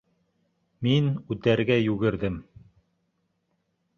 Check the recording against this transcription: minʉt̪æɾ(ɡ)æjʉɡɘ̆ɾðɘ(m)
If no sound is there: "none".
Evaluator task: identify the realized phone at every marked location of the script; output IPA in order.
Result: ɡ, m

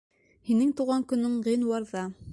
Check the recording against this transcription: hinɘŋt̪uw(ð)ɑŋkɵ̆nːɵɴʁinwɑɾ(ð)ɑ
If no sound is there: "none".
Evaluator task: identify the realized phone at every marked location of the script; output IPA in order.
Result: ʁ, ð

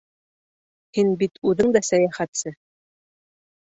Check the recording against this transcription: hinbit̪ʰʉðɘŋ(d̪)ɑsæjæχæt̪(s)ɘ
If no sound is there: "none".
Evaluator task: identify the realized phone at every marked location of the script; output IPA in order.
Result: d̪, s

